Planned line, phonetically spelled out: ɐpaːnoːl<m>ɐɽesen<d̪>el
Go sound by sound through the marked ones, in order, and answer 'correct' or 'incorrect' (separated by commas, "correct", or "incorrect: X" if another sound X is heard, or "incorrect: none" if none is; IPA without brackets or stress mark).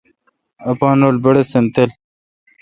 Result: incorrect: b, incorrect: t̪